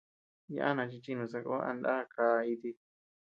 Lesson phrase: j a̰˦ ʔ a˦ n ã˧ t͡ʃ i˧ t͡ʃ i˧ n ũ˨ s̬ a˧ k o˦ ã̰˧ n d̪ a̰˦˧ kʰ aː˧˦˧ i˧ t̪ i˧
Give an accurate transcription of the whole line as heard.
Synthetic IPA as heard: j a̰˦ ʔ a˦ n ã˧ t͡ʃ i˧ t͡ʃ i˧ n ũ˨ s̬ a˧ k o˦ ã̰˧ n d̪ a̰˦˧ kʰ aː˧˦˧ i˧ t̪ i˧